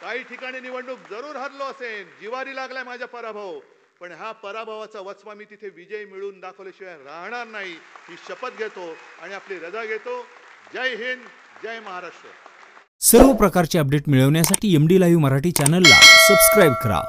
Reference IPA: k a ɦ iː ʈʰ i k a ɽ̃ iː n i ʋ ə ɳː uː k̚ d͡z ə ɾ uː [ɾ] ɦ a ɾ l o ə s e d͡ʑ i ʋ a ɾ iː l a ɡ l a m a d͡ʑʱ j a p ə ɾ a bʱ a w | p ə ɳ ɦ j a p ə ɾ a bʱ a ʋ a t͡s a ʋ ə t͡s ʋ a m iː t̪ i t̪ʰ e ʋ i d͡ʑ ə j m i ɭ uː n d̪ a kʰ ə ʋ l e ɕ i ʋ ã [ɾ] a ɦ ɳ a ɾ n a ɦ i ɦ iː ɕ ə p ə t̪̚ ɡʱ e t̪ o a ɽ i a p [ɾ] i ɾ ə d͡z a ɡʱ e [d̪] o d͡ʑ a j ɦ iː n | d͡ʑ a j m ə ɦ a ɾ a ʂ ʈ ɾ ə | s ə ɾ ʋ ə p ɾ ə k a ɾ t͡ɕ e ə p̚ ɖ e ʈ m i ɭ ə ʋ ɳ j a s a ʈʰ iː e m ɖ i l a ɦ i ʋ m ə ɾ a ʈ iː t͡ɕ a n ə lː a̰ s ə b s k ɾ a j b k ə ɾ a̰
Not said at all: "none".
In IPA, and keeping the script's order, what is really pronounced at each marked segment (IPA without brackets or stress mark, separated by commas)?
ɾ, ɾ, l, t̪